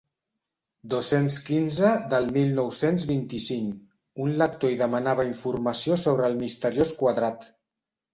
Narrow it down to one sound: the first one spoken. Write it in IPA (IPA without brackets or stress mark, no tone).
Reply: d̪